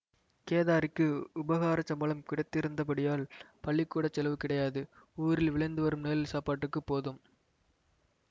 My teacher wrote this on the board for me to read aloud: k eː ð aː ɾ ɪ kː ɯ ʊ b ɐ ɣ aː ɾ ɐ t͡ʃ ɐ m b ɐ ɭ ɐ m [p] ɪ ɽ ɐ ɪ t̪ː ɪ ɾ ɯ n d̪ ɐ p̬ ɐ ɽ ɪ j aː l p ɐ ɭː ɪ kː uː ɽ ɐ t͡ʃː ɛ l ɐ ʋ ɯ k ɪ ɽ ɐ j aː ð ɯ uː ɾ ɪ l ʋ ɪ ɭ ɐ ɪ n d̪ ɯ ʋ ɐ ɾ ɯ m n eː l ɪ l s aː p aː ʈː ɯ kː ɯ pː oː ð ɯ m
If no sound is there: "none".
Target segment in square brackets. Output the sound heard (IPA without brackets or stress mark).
k